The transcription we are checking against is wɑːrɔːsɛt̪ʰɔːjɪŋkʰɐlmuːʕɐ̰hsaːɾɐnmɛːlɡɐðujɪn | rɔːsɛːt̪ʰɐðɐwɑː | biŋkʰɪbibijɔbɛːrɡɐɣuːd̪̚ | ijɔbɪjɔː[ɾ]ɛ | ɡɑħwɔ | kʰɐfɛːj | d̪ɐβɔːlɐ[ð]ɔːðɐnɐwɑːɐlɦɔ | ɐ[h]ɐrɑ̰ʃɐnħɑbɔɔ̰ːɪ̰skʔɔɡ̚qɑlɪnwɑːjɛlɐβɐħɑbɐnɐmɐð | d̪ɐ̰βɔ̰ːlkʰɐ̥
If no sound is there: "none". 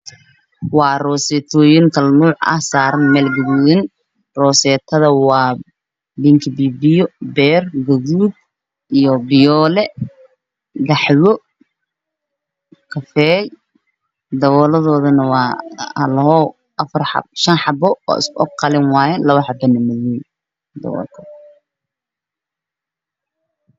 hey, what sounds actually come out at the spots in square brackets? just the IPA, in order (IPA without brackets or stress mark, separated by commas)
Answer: l, ð, f